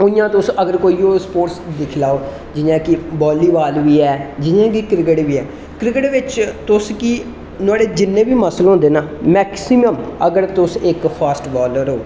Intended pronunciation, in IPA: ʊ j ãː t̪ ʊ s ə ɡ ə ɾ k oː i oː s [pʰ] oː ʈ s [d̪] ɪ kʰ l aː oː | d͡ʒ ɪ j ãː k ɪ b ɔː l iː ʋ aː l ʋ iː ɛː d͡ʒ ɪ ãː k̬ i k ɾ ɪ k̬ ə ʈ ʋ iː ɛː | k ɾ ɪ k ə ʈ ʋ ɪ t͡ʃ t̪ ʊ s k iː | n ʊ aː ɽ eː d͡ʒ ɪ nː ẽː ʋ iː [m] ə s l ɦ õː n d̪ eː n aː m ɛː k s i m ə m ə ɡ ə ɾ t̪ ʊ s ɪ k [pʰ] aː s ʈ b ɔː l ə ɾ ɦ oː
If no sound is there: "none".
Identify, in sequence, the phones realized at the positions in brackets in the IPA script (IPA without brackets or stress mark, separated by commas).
p, d̪, m, pʰ